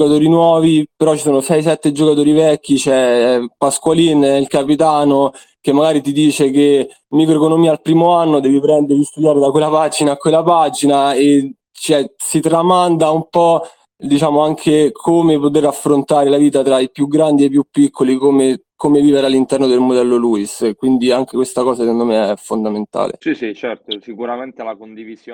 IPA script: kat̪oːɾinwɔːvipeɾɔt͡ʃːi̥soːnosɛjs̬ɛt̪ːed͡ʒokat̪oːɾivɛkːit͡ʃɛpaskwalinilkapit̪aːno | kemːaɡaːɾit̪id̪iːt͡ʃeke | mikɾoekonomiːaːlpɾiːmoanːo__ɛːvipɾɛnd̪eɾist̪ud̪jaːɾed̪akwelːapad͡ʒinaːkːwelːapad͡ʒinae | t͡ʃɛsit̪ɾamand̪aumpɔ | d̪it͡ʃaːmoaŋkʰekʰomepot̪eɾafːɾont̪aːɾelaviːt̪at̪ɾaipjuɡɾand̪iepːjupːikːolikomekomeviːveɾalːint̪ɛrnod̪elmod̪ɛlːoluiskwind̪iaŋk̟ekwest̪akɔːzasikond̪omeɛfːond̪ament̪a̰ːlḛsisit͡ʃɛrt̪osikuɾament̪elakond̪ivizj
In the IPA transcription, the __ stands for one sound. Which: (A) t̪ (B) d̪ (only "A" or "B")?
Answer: B